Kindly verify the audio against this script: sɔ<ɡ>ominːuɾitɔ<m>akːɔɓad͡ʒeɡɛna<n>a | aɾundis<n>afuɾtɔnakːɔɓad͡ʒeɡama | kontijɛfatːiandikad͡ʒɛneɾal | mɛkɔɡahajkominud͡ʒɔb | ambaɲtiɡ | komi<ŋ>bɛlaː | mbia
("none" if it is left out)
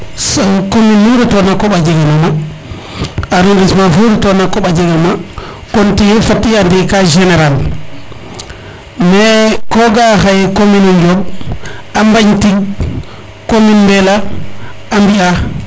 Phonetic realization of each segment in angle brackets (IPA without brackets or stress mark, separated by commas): k, n, m, m, n